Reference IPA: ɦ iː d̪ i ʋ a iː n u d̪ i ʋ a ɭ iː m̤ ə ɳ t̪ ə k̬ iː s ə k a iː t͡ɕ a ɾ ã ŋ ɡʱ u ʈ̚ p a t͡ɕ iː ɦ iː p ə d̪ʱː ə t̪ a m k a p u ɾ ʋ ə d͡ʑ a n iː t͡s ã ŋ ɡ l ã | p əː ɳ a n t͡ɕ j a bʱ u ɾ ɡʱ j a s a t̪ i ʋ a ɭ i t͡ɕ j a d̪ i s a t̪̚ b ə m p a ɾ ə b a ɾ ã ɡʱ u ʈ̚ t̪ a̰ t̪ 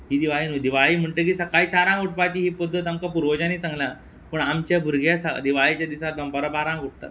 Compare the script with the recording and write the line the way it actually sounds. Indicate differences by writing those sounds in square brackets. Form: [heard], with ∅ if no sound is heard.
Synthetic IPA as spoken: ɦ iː d̪ i ʋ a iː n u d̪ i ʋ a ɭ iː m̤ ə ɳ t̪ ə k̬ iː s ə k a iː t͡ɕ a ɾ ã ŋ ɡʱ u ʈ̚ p a t͡ɕ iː ɦ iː p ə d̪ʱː ə t̪ a m k a p u ɾ ʋ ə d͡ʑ a n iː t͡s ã ŋ ɡ l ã | p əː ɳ a [m] t͡ɕ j a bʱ u ɾ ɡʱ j a s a [d̪] i ʋ a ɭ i t͡ɕ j a d̪ i s a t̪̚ b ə m p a ɾ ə b a ɾ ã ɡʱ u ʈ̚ t̪ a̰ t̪